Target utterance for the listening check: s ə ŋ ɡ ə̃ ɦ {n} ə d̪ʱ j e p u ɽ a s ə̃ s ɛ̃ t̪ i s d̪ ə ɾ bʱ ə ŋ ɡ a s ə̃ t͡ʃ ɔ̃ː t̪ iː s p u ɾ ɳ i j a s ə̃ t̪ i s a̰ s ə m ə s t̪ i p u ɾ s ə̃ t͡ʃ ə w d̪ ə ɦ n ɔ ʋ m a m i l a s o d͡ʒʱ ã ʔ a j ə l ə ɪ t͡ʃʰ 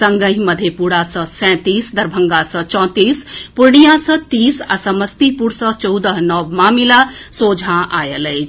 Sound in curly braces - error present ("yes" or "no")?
yes